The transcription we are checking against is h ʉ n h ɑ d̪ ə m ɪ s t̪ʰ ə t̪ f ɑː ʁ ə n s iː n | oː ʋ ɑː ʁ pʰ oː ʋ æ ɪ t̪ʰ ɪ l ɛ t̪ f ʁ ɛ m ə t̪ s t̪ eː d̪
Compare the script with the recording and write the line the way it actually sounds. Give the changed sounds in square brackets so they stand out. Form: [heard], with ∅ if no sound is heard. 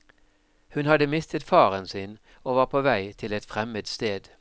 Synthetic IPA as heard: h ʉ n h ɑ d̪ ə m ɪ s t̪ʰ ə t̪ f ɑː ʁ ə n s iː n | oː ʋ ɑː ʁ pʰ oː ʋ æ ɪ t̪ʰ ɪ l ɛ t̪ f ʁ ɛ m ə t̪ s t̪ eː d̪